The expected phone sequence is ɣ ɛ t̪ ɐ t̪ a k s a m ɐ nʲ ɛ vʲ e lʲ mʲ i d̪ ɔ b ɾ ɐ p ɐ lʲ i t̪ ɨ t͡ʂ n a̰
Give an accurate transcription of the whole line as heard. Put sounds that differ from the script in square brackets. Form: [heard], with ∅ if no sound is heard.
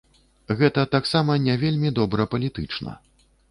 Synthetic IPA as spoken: ɣ ɛ t̪ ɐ t̪ a k s a m ɐ nʲ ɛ vʲ e lʲ mʲ i d̪ ɔ b ɾ ɐ p ɐ lʲ i t̪ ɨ t͡ʂ n [ɐ̰]